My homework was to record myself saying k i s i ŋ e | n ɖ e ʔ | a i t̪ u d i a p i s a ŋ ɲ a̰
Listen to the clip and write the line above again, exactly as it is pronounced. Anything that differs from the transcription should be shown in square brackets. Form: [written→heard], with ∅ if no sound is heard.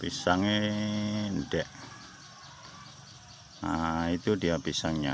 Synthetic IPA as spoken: [k→p] i s [i→a] ŋ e | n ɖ [e→ɛ] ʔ | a i t̪ u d i a p i s a ŋ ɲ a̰

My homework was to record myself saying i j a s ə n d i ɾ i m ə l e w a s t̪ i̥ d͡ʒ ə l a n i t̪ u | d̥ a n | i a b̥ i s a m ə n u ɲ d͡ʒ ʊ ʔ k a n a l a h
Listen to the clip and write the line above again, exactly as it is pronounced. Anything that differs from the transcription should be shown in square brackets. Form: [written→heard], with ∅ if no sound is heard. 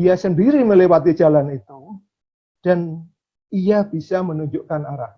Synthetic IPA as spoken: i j a s ə n d i ɾ i m ə l e w a [s→∅] t̪ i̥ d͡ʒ [ə→a] l a n i t̪ u | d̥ a n | i a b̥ i s a m ə n u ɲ d͡ʒ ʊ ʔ k a n a [l→ɾ] a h

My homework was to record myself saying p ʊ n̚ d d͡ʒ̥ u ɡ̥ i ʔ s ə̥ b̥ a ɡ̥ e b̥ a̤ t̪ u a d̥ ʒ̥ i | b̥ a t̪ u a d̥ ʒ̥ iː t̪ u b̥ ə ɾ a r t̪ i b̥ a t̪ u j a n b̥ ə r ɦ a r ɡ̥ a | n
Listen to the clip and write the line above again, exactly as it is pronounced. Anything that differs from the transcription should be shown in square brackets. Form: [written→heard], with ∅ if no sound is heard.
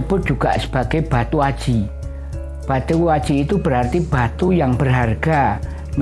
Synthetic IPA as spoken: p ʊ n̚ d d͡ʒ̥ u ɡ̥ [i→a] ʔ s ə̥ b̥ a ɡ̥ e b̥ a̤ t̪ u a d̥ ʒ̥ i | b̥ a t̪ u a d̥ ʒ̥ iː t̪ u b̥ ə ɾ a r t̪ i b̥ a t̪ u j a [n→ŋ] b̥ ə r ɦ a r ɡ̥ a | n

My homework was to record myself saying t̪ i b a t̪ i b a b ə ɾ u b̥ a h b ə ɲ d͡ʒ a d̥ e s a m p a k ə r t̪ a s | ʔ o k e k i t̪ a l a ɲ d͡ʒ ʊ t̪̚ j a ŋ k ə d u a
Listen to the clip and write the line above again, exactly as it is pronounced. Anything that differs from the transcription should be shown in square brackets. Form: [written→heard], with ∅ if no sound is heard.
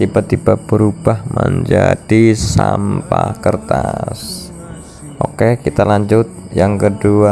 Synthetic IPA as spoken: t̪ i b a t̪ i b a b ə ɾ u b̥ a h [b→m] ə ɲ d͡ʒ a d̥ [e→i] s a m p a k ə r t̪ a s | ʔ o k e k i t̪ a l a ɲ d͡ʒ ʊ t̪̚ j a ŋ k ə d u a

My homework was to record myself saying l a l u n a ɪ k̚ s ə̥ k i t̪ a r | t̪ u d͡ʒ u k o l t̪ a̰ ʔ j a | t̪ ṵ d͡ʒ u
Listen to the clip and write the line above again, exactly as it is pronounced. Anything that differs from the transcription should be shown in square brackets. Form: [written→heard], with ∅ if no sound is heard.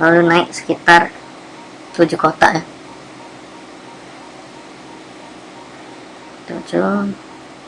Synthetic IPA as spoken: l a l u n a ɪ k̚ s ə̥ k i t̪ a r | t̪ u d͡ʒ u k o [l→∅] t̪ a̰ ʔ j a | t̪ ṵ d͡ʒ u

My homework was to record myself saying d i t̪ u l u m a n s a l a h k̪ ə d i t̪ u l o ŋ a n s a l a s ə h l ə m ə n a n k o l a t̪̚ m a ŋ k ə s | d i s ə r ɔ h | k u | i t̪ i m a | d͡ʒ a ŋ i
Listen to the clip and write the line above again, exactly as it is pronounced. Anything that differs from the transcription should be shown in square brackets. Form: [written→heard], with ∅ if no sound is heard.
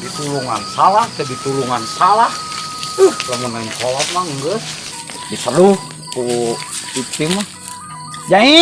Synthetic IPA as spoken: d i t̪ u l u [m→ŋ] a n s a l a h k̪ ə d i t̪ u l [o→u] ŋ a n s a l a [s→h] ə h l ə m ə n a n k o l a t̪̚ m a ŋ [k→ɡ] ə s | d i s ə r [ɔ→u] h | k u | i t̪ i m a | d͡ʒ a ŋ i

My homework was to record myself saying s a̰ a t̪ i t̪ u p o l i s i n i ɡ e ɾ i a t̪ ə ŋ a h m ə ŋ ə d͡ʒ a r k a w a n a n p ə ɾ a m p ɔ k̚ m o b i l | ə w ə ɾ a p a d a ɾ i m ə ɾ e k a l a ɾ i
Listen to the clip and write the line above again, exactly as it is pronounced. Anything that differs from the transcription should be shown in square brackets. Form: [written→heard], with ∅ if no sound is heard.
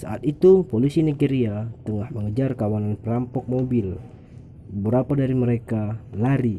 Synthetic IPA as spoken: s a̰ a t̪ i t̪ u p o l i s i n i ɡ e ɾ i a t̪ ə ŋ a h m ə ŋ ə d͡ʒ a r k a w a n a n p ə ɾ a m p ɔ k̚ m o b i l | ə [w→b] ə ɾ a p a d a ɾ i m ə ɾ e k a l a ɾ i

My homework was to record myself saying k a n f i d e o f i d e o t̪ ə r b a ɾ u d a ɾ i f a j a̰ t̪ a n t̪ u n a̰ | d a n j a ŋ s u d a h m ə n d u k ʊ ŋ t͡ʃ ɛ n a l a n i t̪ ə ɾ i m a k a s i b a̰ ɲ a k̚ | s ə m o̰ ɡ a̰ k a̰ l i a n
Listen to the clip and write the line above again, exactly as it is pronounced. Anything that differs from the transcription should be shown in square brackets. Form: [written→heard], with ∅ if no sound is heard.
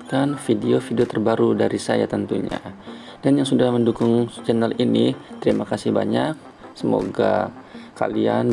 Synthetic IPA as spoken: k a n f i d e o f i d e o t̪ ə r b a ɾ u d a ɾ i [f→s] a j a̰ t̪ [a→ə] n t̪ u [n→ɲ] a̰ | d a n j a ŋ s u d a h m ə n d u k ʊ ŋ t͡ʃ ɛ n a l [a→i] n i t̪ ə ɾ i m a k a s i b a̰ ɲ a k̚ | s ə m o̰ ɡ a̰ k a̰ l i a n

